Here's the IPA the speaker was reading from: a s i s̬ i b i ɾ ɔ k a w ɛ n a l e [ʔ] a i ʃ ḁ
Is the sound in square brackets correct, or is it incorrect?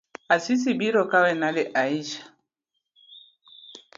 correct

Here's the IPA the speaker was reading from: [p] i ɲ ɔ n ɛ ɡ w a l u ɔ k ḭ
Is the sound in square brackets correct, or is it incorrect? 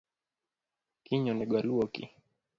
incorrect: k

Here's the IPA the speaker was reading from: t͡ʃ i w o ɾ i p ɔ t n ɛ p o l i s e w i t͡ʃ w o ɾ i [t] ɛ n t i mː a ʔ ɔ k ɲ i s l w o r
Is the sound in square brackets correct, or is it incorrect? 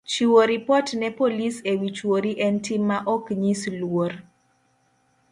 incorrect: ʔ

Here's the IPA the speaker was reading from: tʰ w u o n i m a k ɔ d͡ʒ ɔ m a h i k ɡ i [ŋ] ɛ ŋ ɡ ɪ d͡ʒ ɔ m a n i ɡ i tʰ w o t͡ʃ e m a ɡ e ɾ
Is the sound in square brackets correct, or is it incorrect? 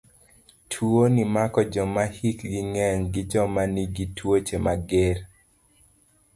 correct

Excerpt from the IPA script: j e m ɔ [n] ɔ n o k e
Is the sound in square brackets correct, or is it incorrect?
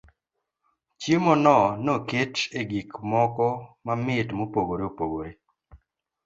correct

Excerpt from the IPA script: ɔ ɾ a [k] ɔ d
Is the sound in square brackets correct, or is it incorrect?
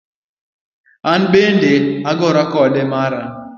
correct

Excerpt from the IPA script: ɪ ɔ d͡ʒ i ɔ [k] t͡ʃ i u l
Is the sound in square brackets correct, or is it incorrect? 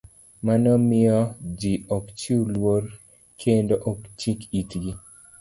correct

